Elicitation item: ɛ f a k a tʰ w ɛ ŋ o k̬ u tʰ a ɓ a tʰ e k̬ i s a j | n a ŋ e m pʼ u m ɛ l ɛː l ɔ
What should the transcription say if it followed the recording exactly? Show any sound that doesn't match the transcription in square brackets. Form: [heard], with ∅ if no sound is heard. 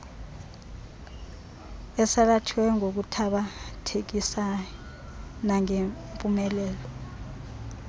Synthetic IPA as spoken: ɛ [s] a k a tʰ w ɛ ŋ o k̬ u tʰ a ɓ a tʰ e k̬ i s a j | n a ŋ e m pʼ u m ɛ l ɛː l ɔ